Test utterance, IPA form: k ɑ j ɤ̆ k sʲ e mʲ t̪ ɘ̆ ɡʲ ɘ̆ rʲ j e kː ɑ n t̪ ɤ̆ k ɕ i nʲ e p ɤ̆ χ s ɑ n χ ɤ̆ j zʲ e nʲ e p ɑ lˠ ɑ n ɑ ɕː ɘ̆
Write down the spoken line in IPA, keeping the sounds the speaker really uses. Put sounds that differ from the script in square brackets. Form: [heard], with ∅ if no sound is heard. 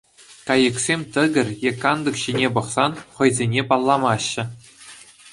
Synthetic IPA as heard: k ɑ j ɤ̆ k sʲ e mʲ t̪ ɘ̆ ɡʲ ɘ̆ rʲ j e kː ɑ n [d̪] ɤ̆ k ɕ i nʲ e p ɤ̆ χ s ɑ n χ ɤ̆ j zʲ e nʲ e p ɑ [lˠː] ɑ [m] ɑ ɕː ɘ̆